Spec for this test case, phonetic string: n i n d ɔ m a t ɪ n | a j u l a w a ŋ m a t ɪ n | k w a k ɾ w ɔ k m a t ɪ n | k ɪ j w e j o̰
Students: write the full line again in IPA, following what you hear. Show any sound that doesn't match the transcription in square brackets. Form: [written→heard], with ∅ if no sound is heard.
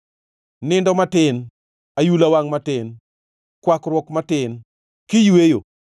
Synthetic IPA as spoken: n [i→ɪ] n d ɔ m a t ɪ n | a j u l a w a ŋ m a t ɪ n | k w a k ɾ w ɔ k m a t ɪ n | k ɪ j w e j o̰